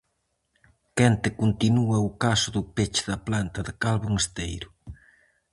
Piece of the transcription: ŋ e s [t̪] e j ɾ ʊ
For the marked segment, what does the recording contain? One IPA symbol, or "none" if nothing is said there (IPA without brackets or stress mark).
t̪